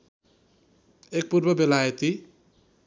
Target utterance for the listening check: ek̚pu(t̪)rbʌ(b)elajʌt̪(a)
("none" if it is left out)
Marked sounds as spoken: none, b, i

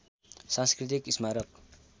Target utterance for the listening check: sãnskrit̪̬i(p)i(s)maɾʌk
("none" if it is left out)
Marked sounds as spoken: k, s

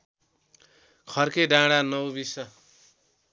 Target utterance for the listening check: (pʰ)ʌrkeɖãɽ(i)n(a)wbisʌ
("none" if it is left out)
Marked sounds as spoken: kʰ, a, ʌ

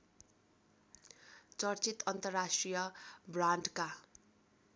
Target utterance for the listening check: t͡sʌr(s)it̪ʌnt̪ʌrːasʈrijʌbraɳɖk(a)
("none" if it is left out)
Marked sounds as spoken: t͡s, a

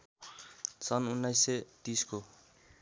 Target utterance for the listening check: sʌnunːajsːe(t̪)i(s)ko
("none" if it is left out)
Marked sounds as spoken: t̪, s

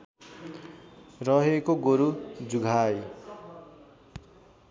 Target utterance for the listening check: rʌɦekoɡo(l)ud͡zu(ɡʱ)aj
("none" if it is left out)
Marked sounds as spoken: ɾ, ɡʱ

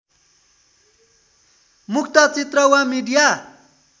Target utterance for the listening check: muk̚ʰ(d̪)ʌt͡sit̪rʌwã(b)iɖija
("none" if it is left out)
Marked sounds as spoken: t̪, m

